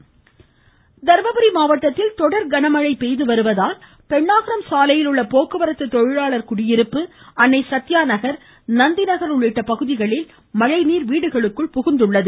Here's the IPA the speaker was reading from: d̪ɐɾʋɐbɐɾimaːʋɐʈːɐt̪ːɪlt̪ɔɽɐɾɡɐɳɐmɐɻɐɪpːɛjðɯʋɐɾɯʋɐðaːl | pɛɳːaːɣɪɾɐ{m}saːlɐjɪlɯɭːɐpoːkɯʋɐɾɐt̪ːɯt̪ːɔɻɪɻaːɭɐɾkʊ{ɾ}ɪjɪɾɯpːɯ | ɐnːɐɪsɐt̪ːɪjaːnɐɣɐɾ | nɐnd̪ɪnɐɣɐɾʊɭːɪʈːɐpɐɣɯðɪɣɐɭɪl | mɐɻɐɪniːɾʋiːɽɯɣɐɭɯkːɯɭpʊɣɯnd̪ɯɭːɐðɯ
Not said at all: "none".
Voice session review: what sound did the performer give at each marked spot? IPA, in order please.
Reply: m, ɽ

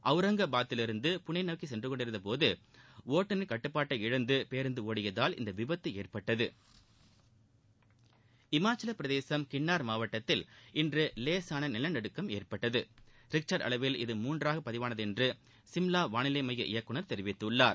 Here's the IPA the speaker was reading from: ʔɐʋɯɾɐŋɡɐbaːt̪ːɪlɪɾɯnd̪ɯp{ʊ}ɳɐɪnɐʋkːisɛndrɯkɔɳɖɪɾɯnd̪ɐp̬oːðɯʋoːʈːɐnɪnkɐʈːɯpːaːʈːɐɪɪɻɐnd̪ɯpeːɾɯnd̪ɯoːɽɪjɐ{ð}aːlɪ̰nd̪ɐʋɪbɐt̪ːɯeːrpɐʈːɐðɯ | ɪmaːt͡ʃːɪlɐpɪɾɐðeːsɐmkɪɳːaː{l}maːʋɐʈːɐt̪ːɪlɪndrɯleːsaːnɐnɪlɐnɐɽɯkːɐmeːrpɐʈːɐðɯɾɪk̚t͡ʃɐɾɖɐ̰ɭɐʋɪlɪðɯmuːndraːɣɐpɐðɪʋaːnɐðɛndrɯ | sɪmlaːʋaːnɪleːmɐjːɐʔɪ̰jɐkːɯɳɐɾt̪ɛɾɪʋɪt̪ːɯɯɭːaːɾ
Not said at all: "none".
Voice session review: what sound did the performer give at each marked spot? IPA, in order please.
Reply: ʊ, ð, ɾ

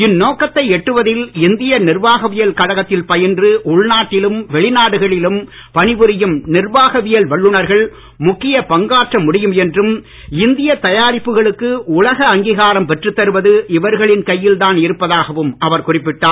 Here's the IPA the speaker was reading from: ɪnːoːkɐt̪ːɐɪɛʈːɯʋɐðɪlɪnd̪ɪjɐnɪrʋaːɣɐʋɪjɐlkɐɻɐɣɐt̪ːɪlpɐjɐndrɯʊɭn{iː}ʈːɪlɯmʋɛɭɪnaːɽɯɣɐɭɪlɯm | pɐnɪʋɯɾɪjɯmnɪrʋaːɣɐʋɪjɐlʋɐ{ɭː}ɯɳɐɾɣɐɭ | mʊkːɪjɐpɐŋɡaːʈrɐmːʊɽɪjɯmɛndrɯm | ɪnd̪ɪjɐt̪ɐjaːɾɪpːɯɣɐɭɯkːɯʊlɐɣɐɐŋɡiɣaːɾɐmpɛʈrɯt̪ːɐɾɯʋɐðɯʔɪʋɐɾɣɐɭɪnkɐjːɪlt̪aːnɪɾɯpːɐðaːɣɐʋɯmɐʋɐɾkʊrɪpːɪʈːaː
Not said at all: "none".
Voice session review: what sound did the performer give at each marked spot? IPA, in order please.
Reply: aː, ɭː

